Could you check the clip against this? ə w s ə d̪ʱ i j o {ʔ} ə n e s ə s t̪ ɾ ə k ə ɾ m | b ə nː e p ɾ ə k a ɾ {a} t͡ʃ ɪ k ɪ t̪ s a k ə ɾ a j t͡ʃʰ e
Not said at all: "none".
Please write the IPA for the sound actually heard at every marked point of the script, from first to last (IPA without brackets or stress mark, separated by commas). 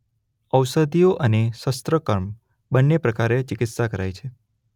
ʔ, e